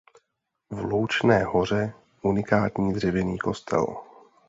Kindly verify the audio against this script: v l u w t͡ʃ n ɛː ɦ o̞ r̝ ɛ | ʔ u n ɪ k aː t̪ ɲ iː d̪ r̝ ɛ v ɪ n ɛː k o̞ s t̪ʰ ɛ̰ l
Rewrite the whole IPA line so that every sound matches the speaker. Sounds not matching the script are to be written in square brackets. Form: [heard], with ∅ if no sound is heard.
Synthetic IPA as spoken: v l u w t͡ʃ n ɛː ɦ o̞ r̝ ɛ | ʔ u n ɪ k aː t̪ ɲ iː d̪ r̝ ɛ v ɪ n [iː] k o̞ s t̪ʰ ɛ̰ l